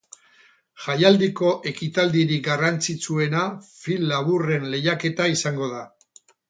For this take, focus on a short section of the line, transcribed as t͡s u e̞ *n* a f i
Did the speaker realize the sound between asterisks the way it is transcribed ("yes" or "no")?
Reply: yes